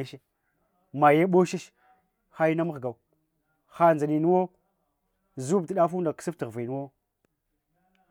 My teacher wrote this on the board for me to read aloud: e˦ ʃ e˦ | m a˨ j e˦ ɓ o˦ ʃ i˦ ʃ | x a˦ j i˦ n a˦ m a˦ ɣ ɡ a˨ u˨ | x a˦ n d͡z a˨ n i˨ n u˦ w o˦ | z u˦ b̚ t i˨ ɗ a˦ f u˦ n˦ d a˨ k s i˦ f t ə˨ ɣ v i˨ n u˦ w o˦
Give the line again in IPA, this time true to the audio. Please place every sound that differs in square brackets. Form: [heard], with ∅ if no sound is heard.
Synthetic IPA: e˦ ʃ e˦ | m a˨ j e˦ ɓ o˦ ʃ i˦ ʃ | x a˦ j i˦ n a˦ m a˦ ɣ ɡ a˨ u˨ | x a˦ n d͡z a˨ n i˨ n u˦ w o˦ | z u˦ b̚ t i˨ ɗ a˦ f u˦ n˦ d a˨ k s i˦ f t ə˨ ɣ v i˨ n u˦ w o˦